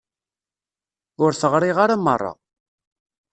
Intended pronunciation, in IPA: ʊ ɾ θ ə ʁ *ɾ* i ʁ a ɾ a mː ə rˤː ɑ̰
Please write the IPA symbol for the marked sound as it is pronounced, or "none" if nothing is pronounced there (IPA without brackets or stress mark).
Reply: ɾ